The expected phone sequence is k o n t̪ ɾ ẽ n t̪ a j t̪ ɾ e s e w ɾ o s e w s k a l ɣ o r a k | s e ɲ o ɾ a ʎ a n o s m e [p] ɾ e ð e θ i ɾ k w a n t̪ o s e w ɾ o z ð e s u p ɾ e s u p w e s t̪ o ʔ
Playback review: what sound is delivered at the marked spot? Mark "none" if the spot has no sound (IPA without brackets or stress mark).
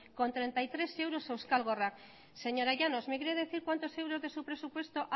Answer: k